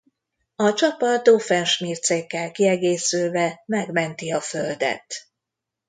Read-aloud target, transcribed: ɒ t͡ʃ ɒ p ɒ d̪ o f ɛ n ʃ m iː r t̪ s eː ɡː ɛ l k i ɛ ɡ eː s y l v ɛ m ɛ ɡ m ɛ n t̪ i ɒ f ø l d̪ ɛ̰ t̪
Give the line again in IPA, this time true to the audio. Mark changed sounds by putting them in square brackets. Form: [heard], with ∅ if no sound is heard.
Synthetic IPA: ɒ t͡ʃ ɒ p ɒ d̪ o f ɛ n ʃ m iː r t̪ s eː [kː] ɛ l k i ɛ ɡ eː s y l v ɛ m ɛ ɡ m ɛ n t̪ i ɒ f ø l d̪ ɛ̰ t̪